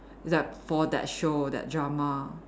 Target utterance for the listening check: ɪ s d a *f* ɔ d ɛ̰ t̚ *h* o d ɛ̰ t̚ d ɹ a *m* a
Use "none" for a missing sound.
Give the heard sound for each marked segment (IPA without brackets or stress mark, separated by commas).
f, ʃ, m